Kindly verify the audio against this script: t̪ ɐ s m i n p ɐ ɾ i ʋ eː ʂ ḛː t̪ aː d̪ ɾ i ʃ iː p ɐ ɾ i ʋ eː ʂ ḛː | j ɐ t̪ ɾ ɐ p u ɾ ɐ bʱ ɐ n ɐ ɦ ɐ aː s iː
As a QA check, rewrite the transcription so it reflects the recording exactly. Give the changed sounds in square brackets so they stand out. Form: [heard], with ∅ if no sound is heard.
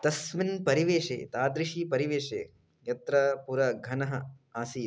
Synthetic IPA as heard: t̪ ɐ s m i n p ɐ ɾ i ʋ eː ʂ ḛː t̪ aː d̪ ɾ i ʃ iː p ɐ ɾ i ʋ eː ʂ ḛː | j ɐ t̪ ɾ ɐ p u ɾ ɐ [ɡʱ] ɐ n ɐ ɦ ɐ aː s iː